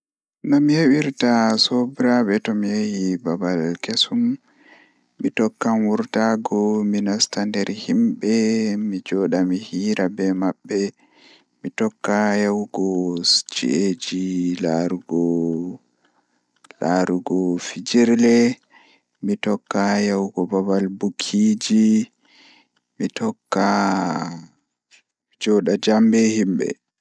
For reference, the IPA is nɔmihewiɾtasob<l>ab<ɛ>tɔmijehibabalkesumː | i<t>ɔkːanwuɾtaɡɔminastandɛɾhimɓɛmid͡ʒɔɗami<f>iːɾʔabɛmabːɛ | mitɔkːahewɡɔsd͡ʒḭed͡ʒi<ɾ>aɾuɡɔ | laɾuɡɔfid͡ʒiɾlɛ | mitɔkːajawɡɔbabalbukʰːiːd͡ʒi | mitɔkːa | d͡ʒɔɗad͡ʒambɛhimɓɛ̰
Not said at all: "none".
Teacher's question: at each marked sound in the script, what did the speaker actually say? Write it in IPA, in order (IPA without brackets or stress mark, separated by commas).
ɾ, ɛ, t, h, l